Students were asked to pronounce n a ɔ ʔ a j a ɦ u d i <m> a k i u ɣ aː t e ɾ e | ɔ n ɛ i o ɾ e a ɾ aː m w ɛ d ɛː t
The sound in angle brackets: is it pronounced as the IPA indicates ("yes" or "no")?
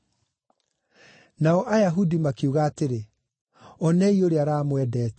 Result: yes